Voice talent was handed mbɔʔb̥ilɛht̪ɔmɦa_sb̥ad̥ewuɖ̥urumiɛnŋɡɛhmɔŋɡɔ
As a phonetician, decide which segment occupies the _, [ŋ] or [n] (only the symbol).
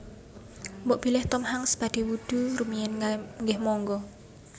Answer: ŋ